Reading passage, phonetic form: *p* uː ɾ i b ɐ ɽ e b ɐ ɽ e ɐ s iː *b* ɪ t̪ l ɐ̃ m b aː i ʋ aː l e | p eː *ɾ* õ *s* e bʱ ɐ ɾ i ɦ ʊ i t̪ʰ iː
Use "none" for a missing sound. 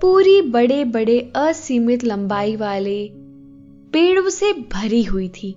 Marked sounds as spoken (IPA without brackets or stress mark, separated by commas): p, m, ɽ, s